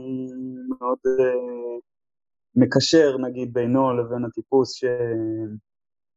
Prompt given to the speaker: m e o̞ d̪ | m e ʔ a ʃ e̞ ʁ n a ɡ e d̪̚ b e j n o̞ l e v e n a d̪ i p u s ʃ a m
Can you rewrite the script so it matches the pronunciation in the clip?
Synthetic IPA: m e o̞ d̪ | m e k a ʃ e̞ ʁ n a ɡ i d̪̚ b e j n o̞ l e v e n a t̪ i p u s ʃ e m